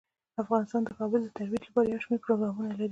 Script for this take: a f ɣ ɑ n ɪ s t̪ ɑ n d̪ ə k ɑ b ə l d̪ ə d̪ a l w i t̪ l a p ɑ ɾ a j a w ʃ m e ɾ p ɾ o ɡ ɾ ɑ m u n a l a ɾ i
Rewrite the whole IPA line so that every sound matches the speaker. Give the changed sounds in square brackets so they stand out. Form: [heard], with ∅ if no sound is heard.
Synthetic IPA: a f ɣ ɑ n ɪ s t̪ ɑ n d̪ ə k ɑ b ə l d̪ ə [t̪] a [ɾ] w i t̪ l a p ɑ ɾ a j a w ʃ m e ɾ p ɾ o ɡ ɾ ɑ m u n a l a ɾ i